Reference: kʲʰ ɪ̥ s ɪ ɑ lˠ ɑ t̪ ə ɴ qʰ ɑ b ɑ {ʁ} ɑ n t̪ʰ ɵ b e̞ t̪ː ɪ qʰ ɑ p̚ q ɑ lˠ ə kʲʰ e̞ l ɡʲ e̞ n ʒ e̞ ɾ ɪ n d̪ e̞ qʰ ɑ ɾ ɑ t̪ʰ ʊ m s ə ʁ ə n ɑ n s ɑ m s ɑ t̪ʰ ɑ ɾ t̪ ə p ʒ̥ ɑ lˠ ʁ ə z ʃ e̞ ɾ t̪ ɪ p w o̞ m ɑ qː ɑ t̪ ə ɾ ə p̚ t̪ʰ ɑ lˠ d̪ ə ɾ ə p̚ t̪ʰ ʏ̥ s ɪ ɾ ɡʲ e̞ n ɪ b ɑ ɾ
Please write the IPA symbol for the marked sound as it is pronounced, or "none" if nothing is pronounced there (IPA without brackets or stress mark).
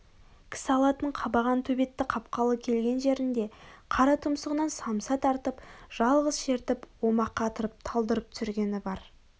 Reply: ʁ